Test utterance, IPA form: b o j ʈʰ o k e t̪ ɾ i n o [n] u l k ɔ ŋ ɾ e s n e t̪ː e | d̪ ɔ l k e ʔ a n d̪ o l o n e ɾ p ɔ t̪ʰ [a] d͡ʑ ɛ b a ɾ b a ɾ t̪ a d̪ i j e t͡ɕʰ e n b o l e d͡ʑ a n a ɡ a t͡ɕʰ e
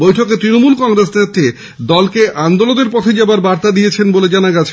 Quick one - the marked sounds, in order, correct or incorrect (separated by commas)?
incorrect, incorrect